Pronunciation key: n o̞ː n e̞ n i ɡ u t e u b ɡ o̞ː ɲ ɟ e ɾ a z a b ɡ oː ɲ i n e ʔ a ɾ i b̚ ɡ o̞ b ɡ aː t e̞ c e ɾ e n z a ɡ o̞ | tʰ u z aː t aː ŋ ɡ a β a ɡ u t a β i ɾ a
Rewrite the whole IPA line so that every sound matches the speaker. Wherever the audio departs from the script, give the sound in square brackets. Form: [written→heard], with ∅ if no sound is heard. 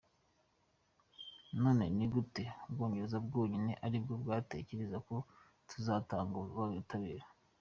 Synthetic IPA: n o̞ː n e̞ n i ɡ u t e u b ɡ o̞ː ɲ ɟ e ɾ [a→e] z a b ɡ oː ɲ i n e ʔ a ɾ i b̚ ɡ o̞ b ɡ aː t e̞ c e ɾ e [n→∅] z a [ɡ→k] o̞ | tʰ u z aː t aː ŋ ɡ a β a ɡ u t a β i ɾ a